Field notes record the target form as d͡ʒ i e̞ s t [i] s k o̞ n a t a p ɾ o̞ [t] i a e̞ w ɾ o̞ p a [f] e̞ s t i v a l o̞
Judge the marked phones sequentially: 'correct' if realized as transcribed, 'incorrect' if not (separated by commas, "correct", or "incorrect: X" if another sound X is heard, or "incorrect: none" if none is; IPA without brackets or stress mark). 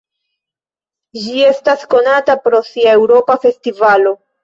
incorrect: a, incorrect: s, correct